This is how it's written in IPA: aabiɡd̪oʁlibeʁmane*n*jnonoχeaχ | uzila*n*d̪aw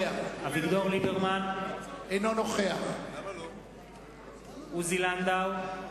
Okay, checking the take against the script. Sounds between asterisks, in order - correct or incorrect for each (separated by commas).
incorrect, correct